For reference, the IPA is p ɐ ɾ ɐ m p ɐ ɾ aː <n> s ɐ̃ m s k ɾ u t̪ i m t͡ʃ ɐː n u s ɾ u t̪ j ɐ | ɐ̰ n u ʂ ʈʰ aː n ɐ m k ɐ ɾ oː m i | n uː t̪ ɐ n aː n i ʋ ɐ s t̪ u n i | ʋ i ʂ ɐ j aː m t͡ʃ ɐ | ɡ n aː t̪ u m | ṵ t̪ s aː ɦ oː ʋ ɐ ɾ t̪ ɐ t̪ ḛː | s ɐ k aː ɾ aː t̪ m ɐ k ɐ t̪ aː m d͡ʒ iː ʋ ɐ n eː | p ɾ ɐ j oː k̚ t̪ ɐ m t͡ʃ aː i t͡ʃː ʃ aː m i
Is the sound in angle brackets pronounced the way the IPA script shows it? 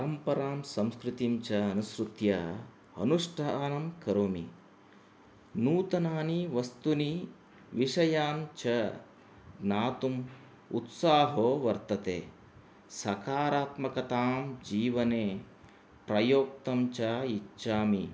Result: no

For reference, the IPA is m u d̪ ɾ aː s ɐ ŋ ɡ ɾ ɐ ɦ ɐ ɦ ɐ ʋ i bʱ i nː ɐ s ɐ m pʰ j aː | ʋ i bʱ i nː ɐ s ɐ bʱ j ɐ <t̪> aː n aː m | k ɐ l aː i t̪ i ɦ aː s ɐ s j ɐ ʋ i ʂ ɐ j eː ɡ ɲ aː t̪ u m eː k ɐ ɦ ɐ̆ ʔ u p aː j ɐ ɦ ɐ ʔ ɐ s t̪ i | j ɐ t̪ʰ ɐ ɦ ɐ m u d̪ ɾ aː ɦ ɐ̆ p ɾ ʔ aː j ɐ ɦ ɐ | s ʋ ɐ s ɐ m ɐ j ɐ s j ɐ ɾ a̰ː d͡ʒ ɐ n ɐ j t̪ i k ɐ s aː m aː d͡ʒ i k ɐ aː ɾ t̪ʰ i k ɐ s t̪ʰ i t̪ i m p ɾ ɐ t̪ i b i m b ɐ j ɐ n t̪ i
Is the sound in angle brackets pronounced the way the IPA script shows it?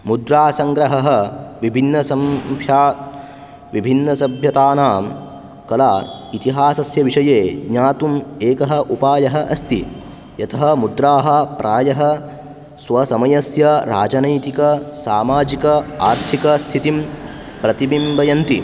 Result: yes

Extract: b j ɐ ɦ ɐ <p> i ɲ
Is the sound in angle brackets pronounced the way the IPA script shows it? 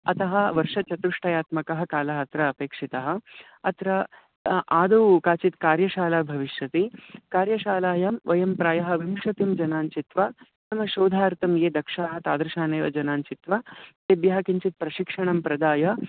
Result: no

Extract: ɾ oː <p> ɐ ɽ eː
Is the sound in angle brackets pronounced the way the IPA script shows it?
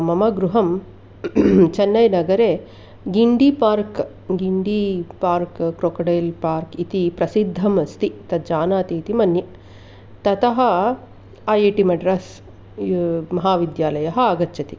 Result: no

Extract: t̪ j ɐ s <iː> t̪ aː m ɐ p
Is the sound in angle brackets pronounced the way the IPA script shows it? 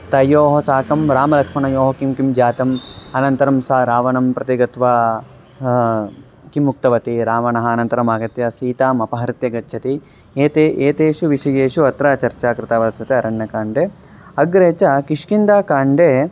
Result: yes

